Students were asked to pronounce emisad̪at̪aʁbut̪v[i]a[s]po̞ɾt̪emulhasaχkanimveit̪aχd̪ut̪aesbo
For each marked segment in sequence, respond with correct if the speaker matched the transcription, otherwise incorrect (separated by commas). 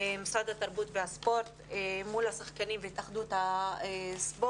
incorrect, correct